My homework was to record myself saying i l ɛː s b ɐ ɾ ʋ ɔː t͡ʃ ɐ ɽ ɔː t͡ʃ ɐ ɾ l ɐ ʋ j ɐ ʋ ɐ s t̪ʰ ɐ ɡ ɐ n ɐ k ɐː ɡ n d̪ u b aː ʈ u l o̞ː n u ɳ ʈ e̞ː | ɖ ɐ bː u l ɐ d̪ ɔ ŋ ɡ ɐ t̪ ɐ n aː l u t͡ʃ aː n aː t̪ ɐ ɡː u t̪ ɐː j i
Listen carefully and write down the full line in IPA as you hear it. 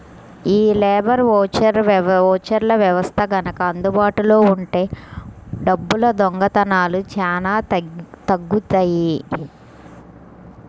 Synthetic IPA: iː l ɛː b ɐ ɾ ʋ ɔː t͡ʃ ɐ ɾ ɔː t͡ʃ ɐ ɾ l ɐ ʋ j ɐ ʋ ɐ s t̪ʰ ɐ ɡ ɐ n ɐ k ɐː n d̪ u b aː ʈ u l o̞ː u ɳ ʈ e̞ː | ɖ ɐ bː u l ɐ d̪ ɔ ŋ ɡ ɐ t̪ ɐ n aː l u t͡ʃ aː n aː t̪ ɐ ɡː u t̪ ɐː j i